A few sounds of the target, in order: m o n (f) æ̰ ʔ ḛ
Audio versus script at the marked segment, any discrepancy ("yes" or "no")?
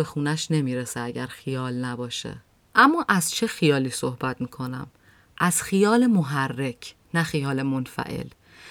no